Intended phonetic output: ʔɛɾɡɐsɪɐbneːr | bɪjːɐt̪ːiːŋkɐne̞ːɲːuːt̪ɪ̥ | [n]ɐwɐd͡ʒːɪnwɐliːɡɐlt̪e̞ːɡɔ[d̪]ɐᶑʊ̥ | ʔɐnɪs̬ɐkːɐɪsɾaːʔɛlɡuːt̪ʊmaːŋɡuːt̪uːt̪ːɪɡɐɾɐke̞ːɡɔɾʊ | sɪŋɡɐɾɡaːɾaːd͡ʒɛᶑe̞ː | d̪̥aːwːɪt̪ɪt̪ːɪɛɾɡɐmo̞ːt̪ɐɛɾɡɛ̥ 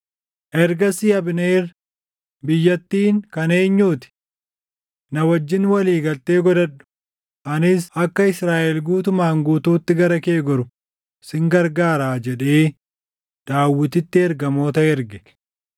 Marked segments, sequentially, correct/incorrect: correct, correct

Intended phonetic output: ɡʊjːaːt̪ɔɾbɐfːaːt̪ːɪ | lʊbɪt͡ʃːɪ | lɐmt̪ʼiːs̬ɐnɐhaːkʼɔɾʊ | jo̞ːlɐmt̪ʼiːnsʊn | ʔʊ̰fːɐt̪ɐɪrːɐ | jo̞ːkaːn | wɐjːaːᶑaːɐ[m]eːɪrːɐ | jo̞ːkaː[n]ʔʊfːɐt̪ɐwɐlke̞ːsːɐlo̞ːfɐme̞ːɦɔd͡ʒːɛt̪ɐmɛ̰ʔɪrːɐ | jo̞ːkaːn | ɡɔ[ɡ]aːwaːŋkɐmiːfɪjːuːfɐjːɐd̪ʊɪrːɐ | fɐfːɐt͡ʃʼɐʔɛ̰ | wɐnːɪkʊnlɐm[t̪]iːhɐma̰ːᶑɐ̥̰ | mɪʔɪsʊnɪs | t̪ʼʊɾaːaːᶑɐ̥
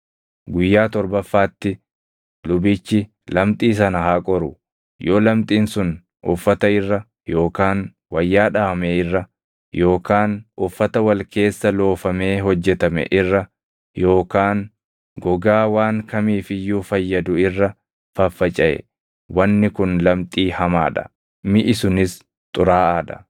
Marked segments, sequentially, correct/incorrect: correct, correct, correct, incorrect

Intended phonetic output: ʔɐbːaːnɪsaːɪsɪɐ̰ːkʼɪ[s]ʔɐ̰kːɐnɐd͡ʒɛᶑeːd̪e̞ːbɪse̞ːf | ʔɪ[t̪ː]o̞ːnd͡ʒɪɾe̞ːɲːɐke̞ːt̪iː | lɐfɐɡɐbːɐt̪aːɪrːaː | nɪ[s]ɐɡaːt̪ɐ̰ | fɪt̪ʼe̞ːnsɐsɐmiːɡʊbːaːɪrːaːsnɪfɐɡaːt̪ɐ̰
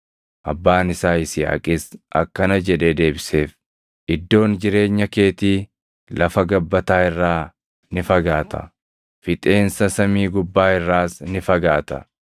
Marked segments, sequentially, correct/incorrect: correct, incorrect, incorrect

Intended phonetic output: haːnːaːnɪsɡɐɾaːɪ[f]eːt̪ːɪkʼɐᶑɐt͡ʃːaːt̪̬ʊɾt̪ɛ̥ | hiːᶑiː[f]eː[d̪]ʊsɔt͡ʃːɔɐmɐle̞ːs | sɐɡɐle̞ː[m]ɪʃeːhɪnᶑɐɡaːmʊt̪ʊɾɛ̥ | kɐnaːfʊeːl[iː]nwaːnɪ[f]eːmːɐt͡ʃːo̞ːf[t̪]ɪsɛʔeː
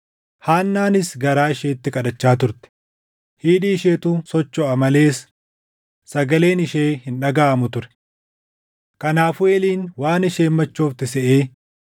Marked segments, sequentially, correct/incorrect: incorrect, incorrect, incorrect, incorrect, correct, incorrect, correct

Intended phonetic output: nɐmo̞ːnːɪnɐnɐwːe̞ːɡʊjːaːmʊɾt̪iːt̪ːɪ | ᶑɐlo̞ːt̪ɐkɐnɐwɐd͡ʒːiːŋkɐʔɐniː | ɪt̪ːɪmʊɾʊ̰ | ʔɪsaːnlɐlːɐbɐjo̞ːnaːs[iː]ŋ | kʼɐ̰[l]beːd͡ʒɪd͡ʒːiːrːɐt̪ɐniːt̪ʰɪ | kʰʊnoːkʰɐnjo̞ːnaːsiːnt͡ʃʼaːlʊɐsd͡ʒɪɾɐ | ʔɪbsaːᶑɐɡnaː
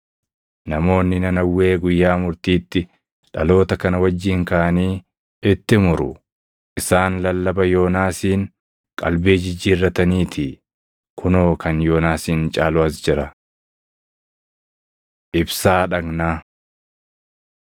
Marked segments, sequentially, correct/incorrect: correct, correct

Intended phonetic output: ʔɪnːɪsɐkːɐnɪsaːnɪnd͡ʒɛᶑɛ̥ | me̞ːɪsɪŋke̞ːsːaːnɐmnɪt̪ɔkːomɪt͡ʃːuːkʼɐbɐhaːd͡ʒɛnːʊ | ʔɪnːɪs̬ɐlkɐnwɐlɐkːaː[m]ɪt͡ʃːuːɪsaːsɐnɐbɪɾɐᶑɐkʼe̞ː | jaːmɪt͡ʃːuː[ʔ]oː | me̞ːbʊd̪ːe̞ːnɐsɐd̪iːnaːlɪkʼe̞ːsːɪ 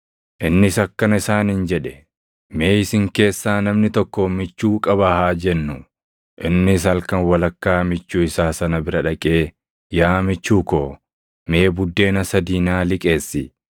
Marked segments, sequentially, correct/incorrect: correct, incorrect

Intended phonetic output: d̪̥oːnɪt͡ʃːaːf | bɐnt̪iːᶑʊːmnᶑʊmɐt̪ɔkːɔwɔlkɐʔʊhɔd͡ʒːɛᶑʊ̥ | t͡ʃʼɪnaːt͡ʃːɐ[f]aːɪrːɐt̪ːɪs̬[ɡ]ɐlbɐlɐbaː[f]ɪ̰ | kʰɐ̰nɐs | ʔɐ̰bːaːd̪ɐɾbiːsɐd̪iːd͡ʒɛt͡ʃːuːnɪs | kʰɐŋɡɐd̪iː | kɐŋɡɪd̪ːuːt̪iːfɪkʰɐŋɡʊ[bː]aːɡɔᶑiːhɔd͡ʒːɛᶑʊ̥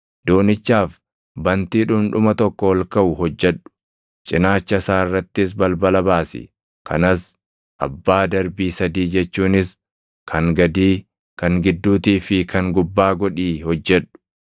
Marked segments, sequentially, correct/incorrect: incorrect, incorrect, incorrect, correct

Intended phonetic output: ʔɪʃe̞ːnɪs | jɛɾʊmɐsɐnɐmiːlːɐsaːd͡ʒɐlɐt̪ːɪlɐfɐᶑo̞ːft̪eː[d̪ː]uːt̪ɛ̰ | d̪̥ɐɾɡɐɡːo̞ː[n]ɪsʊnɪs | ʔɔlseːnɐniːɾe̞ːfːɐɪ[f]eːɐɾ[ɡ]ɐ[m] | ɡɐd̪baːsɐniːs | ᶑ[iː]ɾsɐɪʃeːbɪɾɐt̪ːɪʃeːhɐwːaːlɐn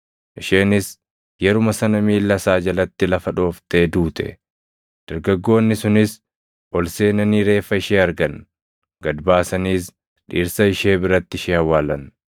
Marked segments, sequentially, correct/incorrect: incorrect, incorrect, incorrect, correct, incorrect, correct

